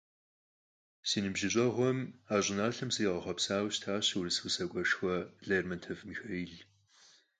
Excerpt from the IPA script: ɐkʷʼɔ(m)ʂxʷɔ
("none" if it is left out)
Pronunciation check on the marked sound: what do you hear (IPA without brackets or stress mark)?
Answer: none